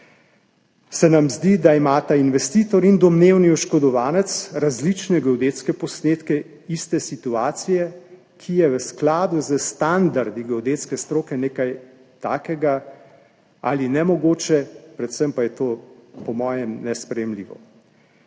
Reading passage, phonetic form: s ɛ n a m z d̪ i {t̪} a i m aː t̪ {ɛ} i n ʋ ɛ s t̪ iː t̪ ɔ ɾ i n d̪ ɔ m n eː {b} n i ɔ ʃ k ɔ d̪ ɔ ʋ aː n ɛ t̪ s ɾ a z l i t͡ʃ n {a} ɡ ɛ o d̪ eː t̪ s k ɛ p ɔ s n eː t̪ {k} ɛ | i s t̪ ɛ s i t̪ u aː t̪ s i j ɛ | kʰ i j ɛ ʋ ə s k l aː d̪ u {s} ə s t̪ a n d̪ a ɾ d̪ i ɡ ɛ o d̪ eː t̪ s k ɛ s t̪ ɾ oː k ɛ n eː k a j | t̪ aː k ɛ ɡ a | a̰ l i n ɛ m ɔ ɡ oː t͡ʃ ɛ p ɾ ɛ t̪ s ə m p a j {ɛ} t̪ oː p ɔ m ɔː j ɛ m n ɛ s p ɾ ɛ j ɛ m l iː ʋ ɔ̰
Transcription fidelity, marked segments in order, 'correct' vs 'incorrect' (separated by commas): incorrect, incorrect, incorrect, incorrect, correct, incorrect, correct